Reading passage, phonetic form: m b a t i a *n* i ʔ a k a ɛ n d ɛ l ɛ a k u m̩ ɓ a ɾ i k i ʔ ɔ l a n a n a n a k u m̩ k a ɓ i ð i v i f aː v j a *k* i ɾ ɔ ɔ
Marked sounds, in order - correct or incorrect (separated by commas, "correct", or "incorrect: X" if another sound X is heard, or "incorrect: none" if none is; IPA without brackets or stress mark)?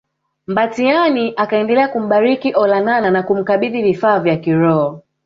correct, correct